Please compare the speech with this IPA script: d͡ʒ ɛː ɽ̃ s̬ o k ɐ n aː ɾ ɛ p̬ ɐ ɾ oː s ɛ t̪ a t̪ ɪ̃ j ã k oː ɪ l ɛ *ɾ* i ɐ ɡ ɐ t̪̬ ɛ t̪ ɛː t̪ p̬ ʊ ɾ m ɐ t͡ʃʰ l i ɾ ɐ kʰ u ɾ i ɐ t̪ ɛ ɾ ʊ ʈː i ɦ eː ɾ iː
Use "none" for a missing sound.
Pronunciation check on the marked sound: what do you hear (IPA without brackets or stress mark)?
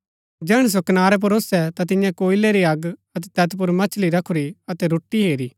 ɾ